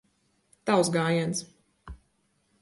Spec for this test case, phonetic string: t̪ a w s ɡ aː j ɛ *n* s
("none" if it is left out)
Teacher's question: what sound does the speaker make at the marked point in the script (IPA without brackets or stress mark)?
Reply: n